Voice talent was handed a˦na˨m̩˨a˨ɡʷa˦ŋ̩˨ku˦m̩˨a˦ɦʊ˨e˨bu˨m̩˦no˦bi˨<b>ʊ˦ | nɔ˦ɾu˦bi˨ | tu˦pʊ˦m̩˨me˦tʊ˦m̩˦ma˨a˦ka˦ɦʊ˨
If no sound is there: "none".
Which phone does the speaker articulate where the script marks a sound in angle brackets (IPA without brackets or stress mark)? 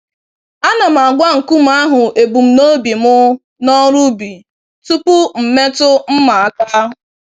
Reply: m